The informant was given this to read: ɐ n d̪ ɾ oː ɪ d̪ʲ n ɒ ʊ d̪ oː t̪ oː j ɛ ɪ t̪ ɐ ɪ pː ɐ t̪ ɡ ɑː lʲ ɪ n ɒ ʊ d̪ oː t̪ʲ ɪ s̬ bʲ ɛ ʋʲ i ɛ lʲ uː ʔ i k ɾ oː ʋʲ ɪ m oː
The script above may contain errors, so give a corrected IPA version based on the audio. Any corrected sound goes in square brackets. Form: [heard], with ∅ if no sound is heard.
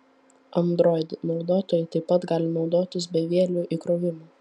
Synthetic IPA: ɐ n d̪ ɾ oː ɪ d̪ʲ n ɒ ʊ d̪ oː t̪ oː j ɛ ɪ t̪ ɐ ɪ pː ɐ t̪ ɡ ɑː lʲ ɪ n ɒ ʊ d̪ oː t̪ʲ ɪ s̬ bʲ ɛ ʋʲ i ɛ lʲ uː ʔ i k ɾ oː ʋʲ ɪ m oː

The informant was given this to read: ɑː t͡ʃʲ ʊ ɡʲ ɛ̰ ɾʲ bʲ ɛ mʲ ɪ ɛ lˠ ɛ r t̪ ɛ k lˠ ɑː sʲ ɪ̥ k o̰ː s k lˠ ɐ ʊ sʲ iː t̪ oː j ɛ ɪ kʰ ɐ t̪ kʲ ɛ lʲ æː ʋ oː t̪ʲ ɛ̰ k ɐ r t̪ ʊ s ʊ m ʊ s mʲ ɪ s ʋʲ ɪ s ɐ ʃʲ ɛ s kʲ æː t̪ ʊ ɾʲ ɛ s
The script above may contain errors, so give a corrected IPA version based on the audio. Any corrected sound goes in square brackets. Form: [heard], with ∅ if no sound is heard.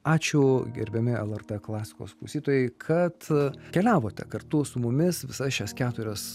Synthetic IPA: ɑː t͡ʃʲ ʊ ɡʲ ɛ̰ ɾʲ bʲ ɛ mʲ ɪ ɛ lˠ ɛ r t̪ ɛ k lˠ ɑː sʲ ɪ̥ k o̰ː s k lˠ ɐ ʊ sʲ iː t̪ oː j ɛ ɪ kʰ ɐ t̪ kʲ ɛ lʲ æː ʋ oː t̪ʲ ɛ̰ k ɐ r t̪ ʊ s ʊ m ʊ [∅] mʲ ɪ s ʋʲ ɪ s ɐ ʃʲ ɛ s kʲ æː t̪ ʊ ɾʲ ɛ s

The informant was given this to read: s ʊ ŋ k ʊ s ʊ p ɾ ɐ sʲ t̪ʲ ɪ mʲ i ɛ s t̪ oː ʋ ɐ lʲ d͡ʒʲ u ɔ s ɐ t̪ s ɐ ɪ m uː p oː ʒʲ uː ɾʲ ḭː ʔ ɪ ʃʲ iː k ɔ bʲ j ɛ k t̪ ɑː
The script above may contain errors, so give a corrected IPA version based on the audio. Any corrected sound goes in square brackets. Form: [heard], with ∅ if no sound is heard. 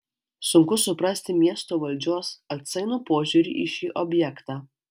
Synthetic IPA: s ʊ ŋ k ʊ s ʊ p ɾ ɐ sʲ t̪ʲ ɪ mʲ i ɛ s t̪ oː ʋ ɐ lʲ d͡ʒʲ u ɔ s ɐ t̪ s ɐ ɪ [n] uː p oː ʒʲ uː ɾʲ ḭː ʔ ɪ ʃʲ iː [ʔ] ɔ bʲ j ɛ k t̪ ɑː

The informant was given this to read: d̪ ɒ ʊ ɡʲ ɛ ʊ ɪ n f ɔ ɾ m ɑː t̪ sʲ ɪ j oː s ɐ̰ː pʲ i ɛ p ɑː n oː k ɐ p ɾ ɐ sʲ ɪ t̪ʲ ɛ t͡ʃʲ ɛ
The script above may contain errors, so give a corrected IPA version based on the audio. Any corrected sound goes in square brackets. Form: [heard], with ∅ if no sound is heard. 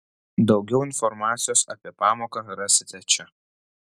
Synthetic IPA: d̪ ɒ ʊ ɡʲ ɛ ʊ ɪ n f ɔ ɾ m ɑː t̪ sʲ ɪ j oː s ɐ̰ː pʲ i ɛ p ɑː [m] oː k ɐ [∅] ɾ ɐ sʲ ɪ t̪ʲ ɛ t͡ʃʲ ɛ

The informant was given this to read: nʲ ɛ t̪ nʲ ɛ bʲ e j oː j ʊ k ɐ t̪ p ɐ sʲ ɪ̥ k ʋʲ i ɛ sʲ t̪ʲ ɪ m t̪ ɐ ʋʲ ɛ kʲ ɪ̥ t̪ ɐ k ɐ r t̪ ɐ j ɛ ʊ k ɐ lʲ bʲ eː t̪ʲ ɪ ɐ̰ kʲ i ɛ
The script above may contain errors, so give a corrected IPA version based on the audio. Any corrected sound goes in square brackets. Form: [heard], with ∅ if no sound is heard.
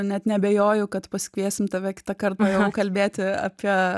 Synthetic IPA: nʲ ɛ t̪ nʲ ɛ bʲ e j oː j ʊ k ɐ t̪ p ɐ sʲ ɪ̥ k ʋʲ i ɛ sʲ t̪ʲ ɪ m t̪ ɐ ʋʲ ɛ kʲ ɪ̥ t̪ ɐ k ɐ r t̪ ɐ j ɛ ʊ k ɐ lʲ bʲ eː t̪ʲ ɪ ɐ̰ [pʲ] i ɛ

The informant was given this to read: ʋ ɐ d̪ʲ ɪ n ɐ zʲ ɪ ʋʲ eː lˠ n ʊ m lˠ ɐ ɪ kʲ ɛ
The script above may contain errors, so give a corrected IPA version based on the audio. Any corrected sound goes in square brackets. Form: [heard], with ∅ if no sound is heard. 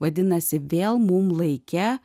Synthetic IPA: ʋ ɐ d̪ʲ ɪ n ɐ [sʲ] ɪ ʋʲ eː lˠ [m] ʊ m lˠ ɐ ɪ kʲ ɛ

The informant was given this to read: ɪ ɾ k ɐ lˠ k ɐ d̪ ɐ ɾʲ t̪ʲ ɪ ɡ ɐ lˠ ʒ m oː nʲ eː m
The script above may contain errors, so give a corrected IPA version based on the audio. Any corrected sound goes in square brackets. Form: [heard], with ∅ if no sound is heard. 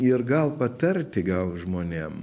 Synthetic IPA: ɪ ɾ [ɡ] ɐ lˠ [p] ɐ [t̪] ɐ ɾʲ t̪ʲ ɪ ɡ ɐ lˠ ʒ m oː nʲ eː m

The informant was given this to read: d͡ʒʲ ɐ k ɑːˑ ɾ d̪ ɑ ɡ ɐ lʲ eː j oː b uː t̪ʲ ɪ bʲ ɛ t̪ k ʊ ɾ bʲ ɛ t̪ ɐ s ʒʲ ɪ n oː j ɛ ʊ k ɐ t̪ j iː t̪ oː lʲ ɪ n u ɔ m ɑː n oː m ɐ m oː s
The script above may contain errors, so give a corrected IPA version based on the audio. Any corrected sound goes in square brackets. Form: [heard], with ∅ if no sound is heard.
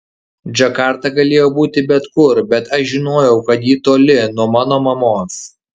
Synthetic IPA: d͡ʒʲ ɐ k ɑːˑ ɾ [t̪] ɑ ɡ ɐ lʲ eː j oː b uː t̪ʲ ɪ bʲ ɛ t̪ k ʊ ɾ bʲ ɛ t̪ ɐ [ʃ] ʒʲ ɪ n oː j ɛ ʊ k ɐ t̪ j iː t̪ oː lʲ ɪ n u ɔ m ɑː n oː m ɐ m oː s

